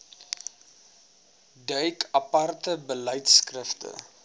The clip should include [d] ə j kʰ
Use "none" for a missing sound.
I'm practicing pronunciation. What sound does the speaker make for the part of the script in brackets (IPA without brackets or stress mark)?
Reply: d